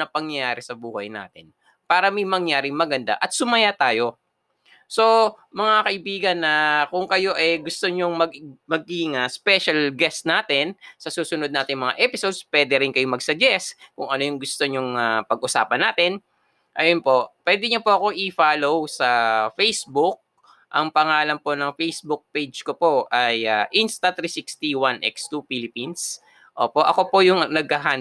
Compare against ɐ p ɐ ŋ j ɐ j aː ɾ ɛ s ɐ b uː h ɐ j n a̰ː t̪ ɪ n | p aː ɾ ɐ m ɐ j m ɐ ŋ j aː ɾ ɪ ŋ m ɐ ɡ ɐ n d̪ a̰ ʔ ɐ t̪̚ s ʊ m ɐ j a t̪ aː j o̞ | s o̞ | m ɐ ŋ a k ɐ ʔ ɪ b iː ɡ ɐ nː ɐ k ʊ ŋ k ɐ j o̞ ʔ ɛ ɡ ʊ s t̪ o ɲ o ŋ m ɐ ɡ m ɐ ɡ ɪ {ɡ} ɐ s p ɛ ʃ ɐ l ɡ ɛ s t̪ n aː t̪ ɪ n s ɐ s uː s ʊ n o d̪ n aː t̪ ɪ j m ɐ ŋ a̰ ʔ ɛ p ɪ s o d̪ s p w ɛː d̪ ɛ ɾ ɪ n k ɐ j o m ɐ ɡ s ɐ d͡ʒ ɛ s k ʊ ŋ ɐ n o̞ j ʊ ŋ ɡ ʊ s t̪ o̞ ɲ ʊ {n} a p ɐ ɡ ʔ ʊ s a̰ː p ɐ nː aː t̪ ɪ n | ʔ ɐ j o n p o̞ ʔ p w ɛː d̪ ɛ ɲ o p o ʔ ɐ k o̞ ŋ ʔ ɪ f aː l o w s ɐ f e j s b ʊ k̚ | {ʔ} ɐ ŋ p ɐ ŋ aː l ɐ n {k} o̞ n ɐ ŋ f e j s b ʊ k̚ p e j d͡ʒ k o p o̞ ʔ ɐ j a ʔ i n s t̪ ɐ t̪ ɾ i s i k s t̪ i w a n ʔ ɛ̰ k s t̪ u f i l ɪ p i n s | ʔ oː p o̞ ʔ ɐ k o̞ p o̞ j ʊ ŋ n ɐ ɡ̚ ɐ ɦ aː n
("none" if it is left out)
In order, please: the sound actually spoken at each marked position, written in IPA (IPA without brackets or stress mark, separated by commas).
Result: ŋ, ŋ, ʔ, p